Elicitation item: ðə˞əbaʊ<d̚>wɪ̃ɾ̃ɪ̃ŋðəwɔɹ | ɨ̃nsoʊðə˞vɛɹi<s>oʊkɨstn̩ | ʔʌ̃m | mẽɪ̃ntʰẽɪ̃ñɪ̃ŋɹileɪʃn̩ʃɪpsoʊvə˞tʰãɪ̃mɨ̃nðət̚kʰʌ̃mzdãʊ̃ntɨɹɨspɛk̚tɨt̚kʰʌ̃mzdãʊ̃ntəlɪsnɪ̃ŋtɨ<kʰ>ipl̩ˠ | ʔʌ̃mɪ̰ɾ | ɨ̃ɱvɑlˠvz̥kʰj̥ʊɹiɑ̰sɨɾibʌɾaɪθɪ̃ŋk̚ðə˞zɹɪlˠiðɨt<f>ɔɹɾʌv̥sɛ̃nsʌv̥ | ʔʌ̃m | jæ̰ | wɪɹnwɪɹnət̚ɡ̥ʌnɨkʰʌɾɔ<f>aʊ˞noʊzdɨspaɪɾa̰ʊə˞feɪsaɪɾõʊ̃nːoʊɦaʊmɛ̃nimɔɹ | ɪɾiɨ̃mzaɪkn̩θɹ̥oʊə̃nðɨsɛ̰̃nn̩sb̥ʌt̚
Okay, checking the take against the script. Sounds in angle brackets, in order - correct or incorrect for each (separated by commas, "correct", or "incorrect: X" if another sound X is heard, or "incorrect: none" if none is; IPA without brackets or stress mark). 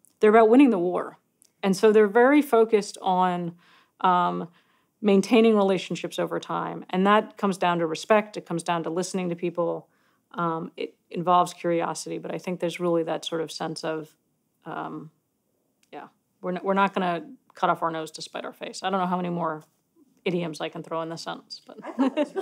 incorrect: t̚, incorrect: f, incorrect: pʰ, incorrect: s, correct